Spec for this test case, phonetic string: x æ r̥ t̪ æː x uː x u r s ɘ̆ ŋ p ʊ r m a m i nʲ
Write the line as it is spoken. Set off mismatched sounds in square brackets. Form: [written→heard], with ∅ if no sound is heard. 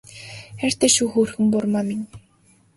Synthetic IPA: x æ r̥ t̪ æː [x→ʃ] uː x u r [s→x] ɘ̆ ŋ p ʊ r m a m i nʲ